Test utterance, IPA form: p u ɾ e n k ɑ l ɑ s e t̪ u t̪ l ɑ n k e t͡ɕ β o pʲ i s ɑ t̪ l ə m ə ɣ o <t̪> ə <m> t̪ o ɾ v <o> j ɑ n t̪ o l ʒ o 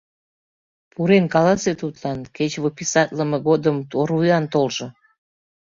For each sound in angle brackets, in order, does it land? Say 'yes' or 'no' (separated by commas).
no, yes, no